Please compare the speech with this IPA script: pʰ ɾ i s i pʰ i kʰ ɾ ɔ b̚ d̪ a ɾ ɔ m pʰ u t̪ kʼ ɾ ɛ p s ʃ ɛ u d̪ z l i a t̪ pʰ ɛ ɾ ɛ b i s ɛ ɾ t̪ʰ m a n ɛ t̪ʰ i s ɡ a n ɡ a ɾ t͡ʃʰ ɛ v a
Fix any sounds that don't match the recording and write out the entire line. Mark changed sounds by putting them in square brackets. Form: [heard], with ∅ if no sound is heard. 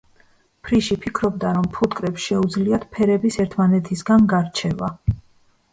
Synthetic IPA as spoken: pʰ ɾ i [ʃ] i pʰ i kʰ ɾ ɔ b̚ d̪ a ɾ ɔ m pʰ u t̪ kʼ ɾ ɛ p s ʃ ɛ u d̪ z l i a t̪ pʰ ɛ ɾ ɛ b i s ɛ ɾ t̪ʰ m a n ɛ t̪ʰ i s ɡ a n ɡ a ɾ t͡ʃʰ ɛ v a